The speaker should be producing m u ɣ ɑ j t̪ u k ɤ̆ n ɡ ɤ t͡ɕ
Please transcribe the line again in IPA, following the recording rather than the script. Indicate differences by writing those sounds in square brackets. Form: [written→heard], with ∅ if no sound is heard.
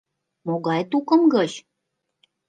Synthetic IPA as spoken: m [u→o] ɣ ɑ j t̪ u k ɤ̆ [n→m] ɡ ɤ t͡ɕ